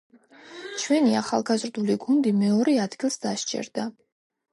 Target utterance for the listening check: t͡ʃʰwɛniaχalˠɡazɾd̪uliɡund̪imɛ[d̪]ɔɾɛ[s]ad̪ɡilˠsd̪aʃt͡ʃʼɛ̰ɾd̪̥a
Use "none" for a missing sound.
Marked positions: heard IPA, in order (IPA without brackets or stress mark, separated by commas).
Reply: none, none